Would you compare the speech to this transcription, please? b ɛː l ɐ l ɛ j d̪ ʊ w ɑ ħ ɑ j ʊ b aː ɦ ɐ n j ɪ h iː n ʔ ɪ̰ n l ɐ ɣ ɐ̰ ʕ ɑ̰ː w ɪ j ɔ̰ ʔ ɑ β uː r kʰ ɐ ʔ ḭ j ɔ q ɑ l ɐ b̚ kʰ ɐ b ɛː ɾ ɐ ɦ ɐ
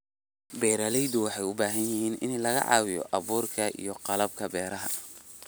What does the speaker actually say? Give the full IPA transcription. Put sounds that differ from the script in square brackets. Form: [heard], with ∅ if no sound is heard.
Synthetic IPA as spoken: b ɛː [ɾ] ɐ l ɛ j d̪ ʊ w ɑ ħ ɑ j ʊ b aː ɦ ɐ n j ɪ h iː n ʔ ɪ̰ n l ɐ ɣ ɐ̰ ʕ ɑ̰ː w ɪ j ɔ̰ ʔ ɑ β uː r kʰ ɐ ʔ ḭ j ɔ q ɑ l ɐ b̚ kʰ ɐ b ɛː ɾ ɐ ɦ ɐ